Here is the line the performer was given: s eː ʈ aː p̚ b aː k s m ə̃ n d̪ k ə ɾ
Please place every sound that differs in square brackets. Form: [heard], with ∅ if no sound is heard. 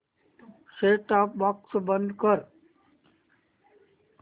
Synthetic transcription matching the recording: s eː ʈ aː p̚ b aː k s [b] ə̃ n d̪ k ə ɾ